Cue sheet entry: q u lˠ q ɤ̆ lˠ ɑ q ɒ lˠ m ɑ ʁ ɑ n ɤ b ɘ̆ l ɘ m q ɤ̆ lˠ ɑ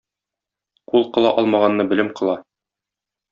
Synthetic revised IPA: q u lˠ q ɤ̆ lˠ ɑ ʔ ɒ lˠ m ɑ ʁ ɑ nː ɤ b ɘ̆ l ɘ m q ɤ̆ lˠ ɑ

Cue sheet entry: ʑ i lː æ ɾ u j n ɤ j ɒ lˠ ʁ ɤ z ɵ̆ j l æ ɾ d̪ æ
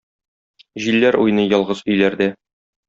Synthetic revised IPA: ʑ i lː æ ɾ u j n ɤ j ɒ lˠ ʁ ɤ z ɵ̆ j l æ ɾ d̪ æ

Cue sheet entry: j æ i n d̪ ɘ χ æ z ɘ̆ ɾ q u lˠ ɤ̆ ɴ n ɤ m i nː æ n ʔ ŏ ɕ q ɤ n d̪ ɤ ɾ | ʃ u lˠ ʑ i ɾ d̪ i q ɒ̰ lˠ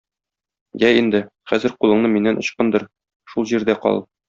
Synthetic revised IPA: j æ i n d̪ ɘ χ æ z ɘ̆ ɾ q u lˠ ɤ̆ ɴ n ɤ m i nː æ n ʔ ŏ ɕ q ɤ n d̪ ɤ ɾ | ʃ u lˠ ʑ i ɾ d̪ æ q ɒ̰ lˠ

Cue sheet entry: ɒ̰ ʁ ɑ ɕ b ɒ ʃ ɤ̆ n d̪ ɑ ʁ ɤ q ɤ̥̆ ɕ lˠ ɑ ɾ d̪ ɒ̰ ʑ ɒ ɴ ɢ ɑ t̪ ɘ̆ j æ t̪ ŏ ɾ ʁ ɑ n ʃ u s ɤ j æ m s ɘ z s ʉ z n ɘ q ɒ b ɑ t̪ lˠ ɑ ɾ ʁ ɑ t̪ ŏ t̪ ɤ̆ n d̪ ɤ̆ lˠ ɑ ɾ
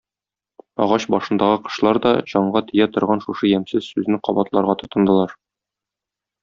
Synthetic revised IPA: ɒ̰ ʁ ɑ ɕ b ɒ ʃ ɤ̆ n d̪ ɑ ʁ ɤ q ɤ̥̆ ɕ lˠ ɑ ɾ d̪ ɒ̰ ʑ ɒ ɴ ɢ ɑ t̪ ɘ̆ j æ t̪ ŏ ɾ ʁ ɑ n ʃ u ʃ ɤ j æ m s ɘ z s ʉ z n ɘ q ɒ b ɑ t̪ lˠ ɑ ɾ ʁ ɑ t̪ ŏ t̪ ɤ̆ n d̪ ɤ̆ lˠ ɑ ɾ

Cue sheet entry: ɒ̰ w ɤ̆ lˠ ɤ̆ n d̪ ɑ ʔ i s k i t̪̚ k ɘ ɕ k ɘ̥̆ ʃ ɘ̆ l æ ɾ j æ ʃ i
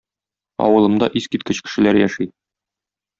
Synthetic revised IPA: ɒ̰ w ɤ̆ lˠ ɤ̆ m d̪ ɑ ʔ i s k i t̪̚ k ɘ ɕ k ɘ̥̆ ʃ ɘ̆ l æ ɾ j æ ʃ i

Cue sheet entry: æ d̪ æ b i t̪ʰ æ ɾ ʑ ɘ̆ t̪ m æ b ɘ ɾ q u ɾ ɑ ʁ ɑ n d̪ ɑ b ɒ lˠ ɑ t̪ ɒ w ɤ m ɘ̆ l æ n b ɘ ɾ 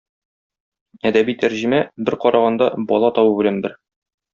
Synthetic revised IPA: æ d̪ æ b i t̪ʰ æ ɾ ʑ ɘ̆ m æ b ɘ ɾ q ɒ ɾ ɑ ʁ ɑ n d̪ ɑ b ɒ lˠ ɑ t̪ ɒ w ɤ b ɘ̆ l æ n b ɘ ɾ

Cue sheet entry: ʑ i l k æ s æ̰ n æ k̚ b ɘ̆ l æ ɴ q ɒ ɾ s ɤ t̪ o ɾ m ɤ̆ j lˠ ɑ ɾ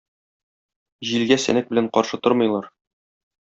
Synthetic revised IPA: ʑ i l ɡ æ s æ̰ n æ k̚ b ɘ̆ l æ ɴ q ɒ ɾ ʃ ɤ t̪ o ɾ m ɤ̆ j lˠ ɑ ɾ

